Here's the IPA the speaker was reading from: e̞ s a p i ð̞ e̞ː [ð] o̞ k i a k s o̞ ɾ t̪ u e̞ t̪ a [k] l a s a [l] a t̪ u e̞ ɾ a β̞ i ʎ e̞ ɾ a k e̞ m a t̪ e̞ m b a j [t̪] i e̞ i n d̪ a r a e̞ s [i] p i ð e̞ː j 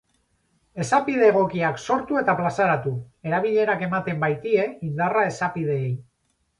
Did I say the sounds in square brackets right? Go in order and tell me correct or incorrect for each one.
incorrect: ɣ, incorrect: p, incorrect: ɾ, correct, incorrect: a

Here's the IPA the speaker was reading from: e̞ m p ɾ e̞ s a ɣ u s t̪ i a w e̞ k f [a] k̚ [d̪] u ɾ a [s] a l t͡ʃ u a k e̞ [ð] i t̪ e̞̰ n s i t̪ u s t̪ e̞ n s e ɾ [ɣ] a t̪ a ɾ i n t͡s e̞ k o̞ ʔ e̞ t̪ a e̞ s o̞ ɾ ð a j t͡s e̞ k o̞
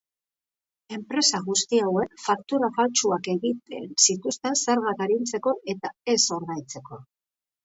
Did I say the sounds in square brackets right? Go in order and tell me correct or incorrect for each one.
correct, incorrect: t̪, incorrect: f, incorrect: ɣ, correct

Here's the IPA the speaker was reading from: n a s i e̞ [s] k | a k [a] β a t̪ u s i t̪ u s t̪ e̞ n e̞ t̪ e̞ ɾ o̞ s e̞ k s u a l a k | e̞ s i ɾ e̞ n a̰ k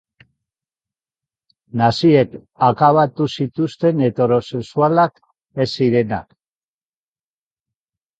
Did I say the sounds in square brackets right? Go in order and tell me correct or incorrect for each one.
incorrect: none, correct

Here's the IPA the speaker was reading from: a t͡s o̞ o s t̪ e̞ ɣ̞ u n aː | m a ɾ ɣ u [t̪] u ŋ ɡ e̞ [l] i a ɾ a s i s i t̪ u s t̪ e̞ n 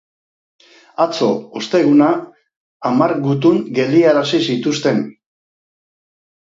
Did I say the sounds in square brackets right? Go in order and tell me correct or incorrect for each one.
correct, correct

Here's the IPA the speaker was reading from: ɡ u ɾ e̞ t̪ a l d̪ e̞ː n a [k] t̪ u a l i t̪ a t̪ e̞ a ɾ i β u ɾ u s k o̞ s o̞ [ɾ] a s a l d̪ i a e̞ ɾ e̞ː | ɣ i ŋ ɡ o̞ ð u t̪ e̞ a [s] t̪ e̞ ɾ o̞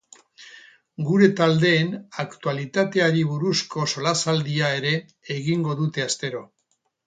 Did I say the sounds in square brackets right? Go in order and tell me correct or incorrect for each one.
correct, incorrect: l, correct

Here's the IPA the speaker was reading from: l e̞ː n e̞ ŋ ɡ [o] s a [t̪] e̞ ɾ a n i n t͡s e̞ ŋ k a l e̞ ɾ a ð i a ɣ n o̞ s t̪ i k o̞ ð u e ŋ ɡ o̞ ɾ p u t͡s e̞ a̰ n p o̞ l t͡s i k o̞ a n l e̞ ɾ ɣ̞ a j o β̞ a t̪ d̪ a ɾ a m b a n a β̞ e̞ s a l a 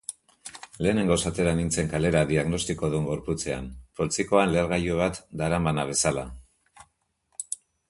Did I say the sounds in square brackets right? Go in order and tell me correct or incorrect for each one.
correct, correct

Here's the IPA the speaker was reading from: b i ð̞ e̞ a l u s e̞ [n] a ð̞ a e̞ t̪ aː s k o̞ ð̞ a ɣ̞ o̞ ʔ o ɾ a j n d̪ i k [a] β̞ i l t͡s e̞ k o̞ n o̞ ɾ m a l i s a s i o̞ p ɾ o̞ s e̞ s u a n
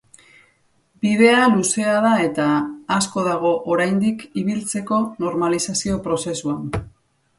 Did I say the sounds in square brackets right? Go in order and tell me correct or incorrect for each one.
incorrect: none, incorrect: i

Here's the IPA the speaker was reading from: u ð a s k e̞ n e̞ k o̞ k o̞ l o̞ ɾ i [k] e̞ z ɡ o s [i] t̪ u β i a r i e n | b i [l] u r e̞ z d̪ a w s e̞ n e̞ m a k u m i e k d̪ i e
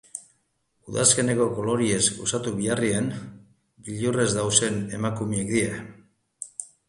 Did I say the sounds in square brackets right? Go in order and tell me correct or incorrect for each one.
incorrect: none, incorrect: a, incorrect: ʎ

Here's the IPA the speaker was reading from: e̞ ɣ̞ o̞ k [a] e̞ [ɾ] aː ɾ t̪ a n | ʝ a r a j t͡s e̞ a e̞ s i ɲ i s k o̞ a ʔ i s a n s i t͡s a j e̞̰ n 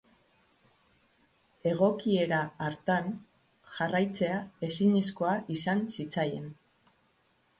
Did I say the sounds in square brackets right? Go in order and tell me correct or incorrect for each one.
incorrect: i, correct

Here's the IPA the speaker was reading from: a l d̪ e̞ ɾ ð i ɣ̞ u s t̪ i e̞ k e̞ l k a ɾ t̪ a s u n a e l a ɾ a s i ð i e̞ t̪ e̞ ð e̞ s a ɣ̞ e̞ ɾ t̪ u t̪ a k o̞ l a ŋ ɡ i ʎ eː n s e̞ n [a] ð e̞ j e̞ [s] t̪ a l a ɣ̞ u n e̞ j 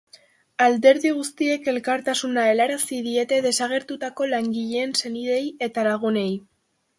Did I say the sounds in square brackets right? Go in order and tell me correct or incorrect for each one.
incorrect: i, incorrect: none

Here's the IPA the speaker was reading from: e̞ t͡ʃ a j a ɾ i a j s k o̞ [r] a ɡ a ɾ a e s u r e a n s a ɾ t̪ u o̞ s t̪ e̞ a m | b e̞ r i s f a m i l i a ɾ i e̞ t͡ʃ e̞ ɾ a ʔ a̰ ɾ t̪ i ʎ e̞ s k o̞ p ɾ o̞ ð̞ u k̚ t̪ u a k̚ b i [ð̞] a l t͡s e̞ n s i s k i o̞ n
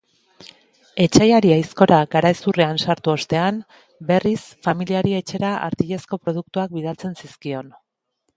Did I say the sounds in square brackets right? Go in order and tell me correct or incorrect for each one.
incorrect: ɾ, correct

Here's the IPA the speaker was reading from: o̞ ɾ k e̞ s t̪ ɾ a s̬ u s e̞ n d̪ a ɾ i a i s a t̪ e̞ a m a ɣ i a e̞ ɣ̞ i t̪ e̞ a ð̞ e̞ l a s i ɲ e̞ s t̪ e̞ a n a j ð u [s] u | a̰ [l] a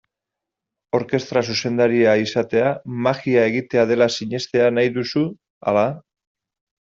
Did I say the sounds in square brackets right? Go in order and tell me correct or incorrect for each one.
correct, correct

